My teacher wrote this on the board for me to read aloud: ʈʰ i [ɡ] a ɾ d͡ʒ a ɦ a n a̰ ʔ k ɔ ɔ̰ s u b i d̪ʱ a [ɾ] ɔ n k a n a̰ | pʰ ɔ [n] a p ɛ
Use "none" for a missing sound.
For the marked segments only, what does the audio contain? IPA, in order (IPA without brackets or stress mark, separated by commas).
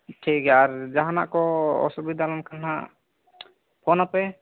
k, l, n